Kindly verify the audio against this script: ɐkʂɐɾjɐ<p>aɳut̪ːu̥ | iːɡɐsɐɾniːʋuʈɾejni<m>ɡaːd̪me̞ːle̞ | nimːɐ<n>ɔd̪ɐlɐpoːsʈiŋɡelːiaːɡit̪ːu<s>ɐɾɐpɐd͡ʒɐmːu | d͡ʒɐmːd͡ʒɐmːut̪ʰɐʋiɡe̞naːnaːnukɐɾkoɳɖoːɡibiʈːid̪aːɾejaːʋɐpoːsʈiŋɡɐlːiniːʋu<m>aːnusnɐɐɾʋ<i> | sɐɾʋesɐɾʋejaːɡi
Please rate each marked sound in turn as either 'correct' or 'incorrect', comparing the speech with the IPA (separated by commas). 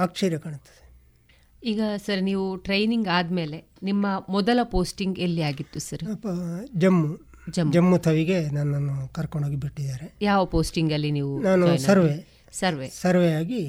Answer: incorrect, incorrect, incorrect, correct, incorrect, incorrect